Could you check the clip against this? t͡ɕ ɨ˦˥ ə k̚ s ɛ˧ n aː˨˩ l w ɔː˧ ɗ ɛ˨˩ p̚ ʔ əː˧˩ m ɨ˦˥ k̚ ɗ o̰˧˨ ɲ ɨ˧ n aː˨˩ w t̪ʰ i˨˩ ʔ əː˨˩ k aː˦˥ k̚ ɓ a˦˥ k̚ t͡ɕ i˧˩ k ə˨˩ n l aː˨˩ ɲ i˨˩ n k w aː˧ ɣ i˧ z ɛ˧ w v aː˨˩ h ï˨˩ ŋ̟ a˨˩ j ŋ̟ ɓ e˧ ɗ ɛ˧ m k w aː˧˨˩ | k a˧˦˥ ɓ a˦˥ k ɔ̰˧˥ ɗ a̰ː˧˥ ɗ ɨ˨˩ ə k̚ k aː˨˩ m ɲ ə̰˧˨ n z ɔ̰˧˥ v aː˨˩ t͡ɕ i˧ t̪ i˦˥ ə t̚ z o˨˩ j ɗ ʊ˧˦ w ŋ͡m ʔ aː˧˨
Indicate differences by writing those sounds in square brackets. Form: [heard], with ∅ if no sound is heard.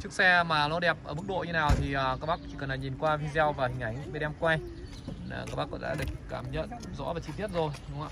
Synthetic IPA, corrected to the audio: t͡ɕ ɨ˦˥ ə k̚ s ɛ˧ [m] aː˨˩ l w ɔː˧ ɗ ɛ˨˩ p̚ ʔ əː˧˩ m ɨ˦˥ k̚ ɗ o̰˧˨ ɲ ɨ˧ n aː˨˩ w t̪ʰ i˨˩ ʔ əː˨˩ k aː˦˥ k̚ ɓ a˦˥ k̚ t͡ɕ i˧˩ k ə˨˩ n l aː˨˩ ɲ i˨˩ n k w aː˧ [v] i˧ z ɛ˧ w v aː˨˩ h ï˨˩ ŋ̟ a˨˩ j ŋ̟ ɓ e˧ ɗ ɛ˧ m k w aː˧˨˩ | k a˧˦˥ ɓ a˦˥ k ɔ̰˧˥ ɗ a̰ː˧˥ ɗ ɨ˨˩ ə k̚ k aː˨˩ m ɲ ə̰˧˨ n z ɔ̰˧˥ v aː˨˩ t͡ɕ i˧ t̪ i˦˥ ə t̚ z o˨˩ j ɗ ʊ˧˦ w ŋ͡m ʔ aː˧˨